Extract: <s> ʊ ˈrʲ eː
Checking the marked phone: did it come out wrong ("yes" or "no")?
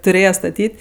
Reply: yes